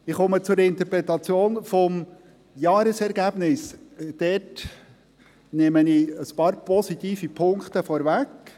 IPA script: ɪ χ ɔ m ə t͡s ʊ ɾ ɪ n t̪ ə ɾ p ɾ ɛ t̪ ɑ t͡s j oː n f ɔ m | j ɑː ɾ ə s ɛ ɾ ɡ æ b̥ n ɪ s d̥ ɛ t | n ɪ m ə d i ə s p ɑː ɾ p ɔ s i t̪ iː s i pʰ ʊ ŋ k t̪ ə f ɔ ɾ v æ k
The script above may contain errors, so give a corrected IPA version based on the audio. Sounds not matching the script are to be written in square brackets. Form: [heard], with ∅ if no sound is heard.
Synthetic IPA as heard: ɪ χ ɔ m ə t͡s ʊ ɾ ɪ n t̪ ə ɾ p ɾ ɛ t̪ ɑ t͡s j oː n f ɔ m | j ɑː ɾ ə s ɛ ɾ ɡ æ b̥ n ɪ s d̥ ɛ t | n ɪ m ə [n] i ə s p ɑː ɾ p ɔ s i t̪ iː [f] i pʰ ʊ ŋ k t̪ ə f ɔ ɾ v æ k